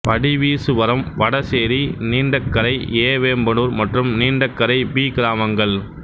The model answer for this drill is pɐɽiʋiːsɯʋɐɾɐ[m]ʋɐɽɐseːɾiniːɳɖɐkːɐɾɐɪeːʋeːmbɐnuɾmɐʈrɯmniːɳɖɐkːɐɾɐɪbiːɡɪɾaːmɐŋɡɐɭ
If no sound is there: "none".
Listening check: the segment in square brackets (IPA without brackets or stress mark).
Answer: m